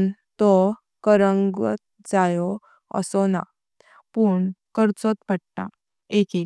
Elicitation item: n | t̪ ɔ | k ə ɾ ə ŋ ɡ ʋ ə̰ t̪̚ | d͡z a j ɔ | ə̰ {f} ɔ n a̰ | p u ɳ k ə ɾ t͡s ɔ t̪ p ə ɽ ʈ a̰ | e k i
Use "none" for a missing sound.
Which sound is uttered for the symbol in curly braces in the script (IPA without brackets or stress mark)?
s